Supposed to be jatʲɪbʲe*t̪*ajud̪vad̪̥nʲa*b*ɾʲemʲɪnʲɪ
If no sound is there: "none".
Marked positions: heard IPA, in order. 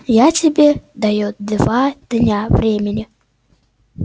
d̪, v

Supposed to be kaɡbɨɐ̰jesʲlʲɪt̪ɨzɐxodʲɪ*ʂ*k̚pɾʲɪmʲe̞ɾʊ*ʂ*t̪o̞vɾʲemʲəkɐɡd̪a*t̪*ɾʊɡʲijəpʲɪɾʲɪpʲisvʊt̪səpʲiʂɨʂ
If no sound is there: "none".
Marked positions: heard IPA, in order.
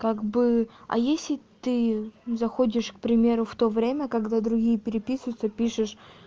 ʂ, f, d̪

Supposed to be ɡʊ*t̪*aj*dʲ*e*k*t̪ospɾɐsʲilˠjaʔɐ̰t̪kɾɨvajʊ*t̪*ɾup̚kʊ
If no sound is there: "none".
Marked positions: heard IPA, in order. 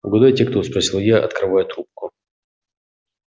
d̪, tʲ, k, t̪

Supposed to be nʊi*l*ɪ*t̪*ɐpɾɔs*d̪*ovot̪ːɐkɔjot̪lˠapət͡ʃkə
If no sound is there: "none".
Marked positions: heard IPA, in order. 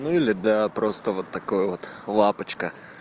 l, d̪, t̪

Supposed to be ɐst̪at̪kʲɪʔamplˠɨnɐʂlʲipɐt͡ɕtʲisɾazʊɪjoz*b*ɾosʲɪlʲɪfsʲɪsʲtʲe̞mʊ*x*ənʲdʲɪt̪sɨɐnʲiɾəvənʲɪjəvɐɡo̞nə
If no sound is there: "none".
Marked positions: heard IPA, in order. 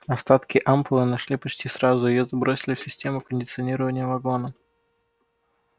b, k

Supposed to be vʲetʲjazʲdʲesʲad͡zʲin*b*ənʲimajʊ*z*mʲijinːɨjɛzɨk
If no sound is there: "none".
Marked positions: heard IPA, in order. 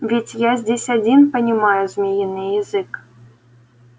p, z

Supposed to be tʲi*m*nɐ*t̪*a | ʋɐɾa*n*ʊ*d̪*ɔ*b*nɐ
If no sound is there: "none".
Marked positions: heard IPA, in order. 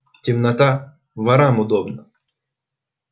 m, t̪, m, d̪, b

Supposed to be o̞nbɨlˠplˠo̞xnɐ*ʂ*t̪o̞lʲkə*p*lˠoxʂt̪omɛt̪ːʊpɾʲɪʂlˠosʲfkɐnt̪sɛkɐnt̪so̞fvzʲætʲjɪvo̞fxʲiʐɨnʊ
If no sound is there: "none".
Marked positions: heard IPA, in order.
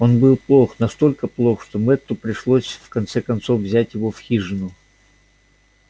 s, p

